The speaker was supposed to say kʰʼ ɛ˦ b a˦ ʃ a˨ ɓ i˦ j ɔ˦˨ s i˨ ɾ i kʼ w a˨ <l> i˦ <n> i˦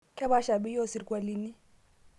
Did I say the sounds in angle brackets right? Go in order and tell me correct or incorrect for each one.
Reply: correct, correct

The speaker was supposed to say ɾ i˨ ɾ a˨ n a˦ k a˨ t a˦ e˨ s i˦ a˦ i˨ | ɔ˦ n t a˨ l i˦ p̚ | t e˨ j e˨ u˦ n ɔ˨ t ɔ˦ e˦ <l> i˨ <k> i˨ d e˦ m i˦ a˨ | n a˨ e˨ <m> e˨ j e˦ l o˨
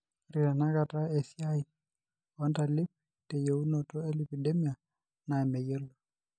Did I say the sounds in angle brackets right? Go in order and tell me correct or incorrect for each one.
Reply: correct, incorrect, correct

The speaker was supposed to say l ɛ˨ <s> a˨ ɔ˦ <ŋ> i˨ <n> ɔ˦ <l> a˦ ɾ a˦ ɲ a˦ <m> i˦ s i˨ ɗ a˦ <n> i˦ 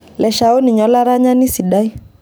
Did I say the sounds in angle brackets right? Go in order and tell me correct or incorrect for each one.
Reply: incorrect, incorrect, incorrect, correct, incorrect, incorrect

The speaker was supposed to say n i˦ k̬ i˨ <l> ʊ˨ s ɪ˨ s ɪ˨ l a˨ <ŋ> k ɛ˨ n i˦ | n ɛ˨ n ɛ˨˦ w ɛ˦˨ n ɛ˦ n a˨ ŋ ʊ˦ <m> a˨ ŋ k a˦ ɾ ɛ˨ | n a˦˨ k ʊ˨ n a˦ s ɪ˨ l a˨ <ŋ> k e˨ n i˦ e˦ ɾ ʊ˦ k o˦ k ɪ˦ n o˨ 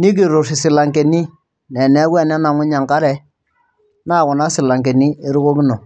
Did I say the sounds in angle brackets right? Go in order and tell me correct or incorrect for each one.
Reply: incorrect, correct, incorrect, correct

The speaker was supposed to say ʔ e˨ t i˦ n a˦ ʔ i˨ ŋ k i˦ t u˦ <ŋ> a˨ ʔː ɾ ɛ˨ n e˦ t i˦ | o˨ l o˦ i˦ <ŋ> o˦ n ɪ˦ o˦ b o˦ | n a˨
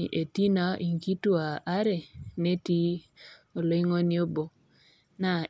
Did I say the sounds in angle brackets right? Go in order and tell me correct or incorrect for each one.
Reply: incorrect, correct

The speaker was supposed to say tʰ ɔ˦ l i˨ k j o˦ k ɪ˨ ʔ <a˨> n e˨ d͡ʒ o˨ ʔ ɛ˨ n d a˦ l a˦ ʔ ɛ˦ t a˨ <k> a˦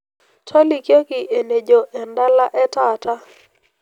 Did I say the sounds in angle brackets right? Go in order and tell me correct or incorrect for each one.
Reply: incorrect, incorrect

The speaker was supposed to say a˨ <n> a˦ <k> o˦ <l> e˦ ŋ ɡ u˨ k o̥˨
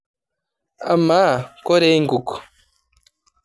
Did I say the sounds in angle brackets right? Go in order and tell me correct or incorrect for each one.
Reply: incorrect, correct, incorrect

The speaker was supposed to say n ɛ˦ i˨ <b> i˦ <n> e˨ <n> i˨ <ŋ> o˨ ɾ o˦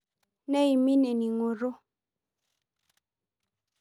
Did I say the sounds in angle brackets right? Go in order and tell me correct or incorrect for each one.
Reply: incorrect, correct, correct, correct

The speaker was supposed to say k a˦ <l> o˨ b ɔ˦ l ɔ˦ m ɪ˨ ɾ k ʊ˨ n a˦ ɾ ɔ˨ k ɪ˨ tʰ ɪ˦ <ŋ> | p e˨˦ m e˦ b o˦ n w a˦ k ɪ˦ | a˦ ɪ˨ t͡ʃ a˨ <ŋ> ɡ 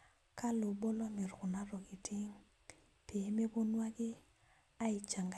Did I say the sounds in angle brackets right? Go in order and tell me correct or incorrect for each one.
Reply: correct, correct, correct

